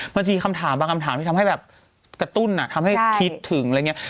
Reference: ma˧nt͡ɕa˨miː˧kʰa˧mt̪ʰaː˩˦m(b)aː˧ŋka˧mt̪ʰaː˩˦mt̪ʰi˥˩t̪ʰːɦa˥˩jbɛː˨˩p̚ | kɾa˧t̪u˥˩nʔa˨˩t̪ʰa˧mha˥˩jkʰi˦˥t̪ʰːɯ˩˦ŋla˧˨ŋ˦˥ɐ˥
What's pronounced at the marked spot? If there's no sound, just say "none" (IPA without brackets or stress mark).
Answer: b